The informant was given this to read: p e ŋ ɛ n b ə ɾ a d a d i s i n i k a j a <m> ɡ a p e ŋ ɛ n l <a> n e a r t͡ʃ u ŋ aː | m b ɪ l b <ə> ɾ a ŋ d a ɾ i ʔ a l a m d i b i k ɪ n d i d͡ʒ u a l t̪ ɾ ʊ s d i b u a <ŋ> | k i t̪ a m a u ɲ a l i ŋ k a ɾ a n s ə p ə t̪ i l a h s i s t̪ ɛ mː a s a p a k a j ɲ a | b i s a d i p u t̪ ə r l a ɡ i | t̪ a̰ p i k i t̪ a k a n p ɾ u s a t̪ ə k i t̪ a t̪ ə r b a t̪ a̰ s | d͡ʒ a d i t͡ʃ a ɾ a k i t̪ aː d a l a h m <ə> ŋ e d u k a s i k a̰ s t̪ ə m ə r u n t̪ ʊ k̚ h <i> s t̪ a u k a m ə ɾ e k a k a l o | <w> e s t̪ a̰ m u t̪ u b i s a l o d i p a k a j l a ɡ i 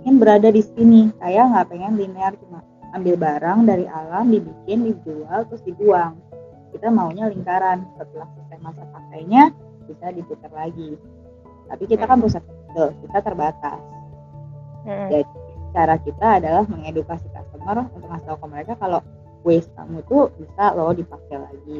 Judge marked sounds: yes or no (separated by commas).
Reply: no, no, no, yes, yes, no, yes